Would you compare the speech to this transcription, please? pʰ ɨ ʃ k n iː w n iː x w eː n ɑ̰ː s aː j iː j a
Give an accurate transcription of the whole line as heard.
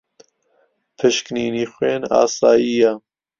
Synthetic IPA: pʰ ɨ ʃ k n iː n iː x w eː n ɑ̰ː s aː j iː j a